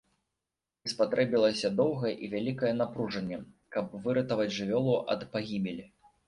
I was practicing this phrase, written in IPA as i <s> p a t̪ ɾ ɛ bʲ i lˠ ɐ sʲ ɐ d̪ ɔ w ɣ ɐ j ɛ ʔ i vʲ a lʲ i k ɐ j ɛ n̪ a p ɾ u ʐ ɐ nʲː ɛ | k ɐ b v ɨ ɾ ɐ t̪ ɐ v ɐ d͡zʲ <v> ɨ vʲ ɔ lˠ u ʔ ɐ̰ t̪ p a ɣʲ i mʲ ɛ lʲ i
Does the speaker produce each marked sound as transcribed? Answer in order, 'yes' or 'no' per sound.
yes, no

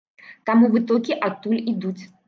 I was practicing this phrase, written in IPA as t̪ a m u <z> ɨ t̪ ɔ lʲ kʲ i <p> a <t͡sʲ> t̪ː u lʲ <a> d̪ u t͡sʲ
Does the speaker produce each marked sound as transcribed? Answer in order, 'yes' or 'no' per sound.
no, no, no, no

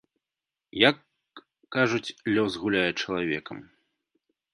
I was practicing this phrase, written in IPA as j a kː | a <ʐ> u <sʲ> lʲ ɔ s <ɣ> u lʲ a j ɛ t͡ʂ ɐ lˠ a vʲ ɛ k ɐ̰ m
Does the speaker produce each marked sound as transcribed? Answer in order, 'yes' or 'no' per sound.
yes, no, yes

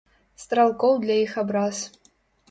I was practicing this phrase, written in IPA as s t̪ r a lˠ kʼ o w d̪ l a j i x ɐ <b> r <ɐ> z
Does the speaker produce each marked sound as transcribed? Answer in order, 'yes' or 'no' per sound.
yes, no

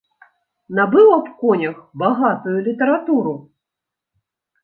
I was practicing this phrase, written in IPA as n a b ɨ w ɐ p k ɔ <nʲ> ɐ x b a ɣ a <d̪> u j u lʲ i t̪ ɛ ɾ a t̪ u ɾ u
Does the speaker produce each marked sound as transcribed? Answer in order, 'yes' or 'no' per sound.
yes, no

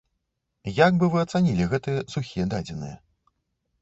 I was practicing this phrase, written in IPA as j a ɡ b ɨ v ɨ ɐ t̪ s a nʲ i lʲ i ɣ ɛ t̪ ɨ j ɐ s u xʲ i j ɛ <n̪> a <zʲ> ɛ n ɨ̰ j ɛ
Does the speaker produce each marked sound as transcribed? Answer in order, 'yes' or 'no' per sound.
no, no

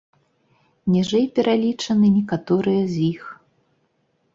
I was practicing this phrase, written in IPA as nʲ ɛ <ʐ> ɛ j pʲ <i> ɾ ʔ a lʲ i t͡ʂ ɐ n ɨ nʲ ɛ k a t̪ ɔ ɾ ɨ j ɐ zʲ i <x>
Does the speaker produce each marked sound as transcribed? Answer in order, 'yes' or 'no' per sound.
yes, no, yes

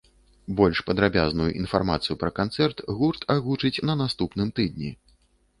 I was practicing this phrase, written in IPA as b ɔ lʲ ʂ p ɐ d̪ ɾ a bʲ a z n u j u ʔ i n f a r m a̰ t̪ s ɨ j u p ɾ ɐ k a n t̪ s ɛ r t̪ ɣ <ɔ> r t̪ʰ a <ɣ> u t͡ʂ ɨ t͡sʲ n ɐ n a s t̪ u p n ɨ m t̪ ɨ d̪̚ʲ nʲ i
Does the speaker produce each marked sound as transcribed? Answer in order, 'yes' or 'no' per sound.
no, yes

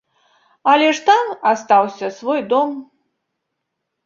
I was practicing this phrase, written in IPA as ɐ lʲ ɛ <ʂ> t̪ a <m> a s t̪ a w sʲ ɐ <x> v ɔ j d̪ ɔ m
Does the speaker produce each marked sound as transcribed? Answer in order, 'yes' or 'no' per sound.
yes, yes, no

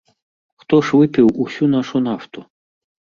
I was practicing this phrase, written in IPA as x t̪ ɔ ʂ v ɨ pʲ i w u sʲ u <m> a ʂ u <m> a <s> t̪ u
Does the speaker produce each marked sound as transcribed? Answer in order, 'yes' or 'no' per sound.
no, no, no

